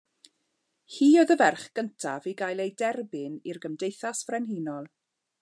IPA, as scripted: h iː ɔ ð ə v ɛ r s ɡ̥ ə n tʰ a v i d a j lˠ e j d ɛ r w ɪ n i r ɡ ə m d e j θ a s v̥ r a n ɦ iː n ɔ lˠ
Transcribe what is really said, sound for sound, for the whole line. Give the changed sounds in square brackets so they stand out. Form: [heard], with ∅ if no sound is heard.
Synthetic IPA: h iː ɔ ð ə v ɛ r [χ] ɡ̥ ə n tʰ a v i [ɡ] a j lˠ e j d ɛ r [b] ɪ n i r ɡ ə m d e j θ a s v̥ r [ɛ] n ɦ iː n ɔ lˠ